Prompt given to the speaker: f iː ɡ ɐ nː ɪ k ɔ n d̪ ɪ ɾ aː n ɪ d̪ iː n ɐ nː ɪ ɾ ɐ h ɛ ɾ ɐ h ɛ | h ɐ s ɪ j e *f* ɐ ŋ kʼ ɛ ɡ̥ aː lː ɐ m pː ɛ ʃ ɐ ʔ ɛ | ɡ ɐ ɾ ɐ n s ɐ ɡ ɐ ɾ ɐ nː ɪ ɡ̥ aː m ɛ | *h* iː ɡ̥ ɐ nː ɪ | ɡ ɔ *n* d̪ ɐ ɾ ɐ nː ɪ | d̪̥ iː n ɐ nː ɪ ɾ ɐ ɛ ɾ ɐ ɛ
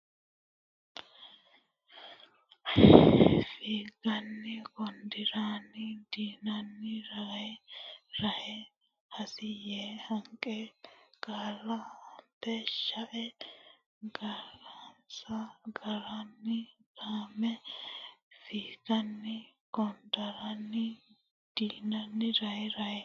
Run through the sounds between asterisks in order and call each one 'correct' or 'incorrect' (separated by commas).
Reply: incorrect, incorrect, correct